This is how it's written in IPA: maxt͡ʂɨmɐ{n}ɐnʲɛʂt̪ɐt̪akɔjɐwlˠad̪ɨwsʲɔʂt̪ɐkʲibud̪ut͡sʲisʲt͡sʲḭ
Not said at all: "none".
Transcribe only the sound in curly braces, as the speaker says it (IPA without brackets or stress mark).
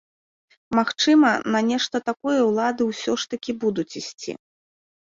n